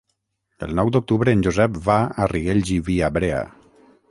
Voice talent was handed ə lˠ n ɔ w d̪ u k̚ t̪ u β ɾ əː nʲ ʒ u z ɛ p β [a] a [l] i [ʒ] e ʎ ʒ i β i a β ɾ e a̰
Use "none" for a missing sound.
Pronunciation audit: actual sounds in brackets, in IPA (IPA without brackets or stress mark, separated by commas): a, r, ɣ